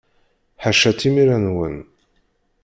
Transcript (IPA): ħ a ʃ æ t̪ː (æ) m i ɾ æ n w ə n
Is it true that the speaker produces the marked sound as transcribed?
no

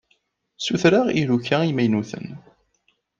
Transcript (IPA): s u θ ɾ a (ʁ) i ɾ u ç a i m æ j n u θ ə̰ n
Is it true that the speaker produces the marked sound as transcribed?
yes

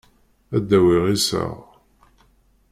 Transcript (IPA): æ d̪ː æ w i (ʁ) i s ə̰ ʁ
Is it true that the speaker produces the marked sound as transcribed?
yes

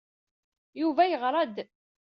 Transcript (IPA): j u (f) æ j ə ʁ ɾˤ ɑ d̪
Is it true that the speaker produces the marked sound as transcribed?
no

